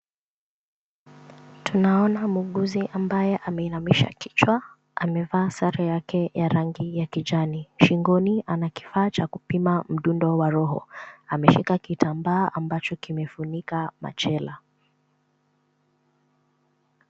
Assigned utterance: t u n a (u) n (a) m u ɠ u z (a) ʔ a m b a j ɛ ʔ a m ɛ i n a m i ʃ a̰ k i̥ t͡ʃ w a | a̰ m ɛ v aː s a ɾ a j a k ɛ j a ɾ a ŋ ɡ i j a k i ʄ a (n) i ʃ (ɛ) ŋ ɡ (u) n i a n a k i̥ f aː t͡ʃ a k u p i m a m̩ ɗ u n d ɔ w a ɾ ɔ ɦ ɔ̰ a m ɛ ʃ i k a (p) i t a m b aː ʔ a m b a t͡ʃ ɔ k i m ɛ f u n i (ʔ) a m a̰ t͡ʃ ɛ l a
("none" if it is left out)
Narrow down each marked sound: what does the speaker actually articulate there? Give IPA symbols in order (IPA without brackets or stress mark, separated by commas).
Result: ɔ, a, i, n, i, ɔ, k, k